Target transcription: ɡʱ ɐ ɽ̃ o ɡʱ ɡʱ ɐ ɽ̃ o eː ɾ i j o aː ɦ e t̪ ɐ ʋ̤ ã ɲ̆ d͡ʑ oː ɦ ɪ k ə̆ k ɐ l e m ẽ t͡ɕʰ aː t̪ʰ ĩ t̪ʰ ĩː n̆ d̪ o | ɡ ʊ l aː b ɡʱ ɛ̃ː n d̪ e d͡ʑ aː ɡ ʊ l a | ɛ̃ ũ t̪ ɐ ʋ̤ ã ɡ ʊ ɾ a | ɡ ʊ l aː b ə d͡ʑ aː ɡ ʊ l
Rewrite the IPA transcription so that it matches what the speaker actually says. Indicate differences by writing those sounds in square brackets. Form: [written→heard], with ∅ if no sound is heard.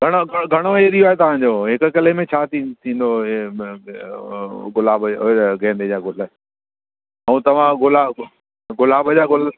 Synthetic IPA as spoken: ɡʱ ɐ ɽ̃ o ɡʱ ɡʱ ɐ ɽ̃ o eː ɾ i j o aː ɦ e t̪ ɐ ʋ̤ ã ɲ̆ d͡ʑ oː ɦ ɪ k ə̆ k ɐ l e m ẽ t͡ɕʰ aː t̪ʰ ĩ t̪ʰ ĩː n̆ d̪ o | ɡ ʊ l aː b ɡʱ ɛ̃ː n d̪ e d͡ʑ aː ɡ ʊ l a | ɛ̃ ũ t̪ ɐ ʋ̤ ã ɡ ʊ [ɾ→l] a | ɡ ʊ l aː b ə d͡ʑ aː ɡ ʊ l